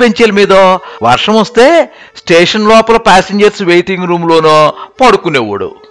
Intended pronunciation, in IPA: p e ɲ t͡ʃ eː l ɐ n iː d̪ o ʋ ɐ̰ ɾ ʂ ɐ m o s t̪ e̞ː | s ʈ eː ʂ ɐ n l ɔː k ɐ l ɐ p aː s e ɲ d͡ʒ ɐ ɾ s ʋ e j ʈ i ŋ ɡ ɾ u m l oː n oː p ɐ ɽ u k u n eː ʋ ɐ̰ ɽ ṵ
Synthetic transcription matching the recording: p e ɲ t͡ʃ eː l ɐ m iː d̪ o ʋ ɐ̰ ɾ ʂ ɐ m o s t̪ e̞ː | s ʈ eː ʂ ɐ n l ɔː p ɐ l ɐ p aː s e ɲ d͡ʒ ɐ ɾ s ʋ e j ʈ i ŋ ɡ ɾ uː m l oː n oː p ɐ ɽ u k u n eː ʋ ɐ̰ ɽ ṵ